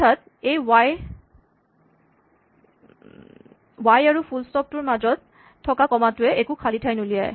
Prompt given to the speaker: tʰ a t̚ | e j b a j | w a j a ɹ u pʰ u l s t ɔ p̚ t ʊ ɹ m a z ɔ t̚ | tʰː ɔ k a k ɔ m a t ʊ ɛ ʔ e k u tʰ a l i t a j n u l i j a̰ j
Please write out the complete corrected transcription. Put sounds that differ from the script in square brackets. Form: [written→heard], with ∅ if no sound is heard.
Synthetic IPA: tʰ a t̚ | e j [b→w] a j | w a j a ɹ u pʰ u l s t ɔ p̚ t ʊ ɹ m a z ɔ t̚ | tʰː ɔ k a k ɔ m a t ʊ ɛ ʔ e k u [tʰ→kʰ] a l i [t→tʰ] a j n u l i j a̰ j